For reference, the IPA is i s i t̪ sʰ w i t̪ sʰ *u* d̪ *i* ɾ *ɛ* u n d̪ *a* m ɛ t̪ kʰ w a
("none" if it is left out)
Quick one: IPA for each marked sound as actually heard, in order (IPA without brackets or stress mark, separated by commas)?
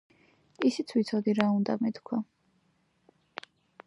ɔ, i, a, a